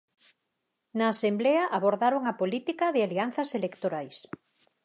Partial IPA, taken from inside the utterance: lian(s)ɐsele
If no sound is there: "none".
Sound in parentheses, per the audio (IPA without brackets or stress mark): θ